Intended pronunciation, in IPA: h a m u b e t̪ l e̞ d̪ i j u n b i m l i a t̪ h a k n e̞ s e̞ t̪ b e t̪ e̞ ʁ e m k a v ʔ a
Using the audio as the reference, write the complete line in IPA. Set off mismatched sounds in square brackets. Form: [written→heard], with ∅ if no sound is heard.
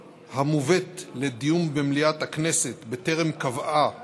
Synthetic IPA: h a m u [b→v] e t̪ l e̞ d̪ i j u [n→m] b [i→e] m l i a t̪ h a k n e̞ s e̞ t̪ b e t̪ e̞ ʁ e m k a v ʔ a